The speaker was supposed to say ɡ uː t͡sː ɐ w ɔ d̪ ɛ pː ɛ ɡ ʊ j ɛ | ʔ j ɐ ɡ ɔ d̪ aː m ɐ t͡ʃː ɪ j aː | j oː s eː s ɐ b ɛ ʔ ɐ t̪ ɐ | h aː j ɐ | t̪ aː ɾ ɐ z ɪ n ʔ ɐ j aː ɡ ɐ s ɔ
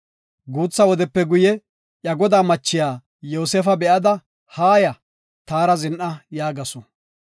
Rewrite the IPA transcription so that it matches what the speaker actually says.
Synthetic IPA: ɡ uː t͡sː ɐ w ɔ d̪ ɛ pː ɛ ɡ ʊ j ɛ | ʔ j ɐ ɡ ɔ d̪ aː m ɐ t͡ʃː ɪ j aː | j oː s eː f ɐ b ɛ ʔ ɐ d̪ ɐ | h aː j ɐ | t̪ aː ɾ ɐ z ɪ n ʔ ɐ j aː ɡ ɐ s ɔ